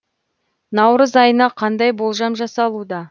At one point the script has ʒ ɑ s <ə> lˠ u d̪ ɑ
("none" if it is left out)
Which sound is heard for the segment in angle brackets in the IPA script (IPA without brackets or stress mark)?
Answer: ɑ